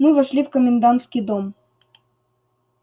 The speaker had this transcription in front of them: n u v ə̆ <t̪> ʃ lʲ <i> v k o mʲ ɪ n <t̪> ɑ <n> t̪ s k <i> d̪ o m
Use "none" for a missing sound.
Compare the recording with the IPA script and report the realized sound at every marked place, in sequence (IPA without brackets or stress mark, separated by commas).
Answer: none, i, d̪, n, i